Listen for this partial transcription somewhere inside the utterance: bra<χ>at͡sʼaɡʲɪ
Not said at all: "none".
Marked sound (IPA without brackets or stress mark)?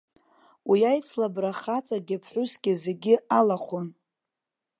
χ